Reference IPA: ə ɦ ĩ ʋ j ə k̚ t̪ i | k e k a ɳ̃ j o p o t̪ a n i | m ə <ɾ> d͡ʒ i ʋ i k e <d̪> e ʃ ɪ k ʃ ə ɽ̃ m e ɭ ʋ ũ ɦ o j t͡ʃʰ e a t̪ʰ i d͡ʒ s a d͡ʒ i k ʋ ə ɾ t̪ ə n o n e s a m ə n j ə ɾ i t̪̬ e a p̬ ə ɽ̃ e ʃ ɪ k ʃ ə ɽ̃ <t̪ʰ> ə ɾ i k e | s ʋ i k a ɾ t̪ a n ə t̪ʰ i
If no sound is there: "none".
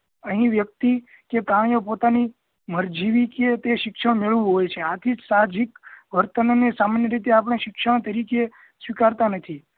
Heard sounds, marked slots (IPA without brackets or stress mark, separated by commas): ɾ, t̪, t̪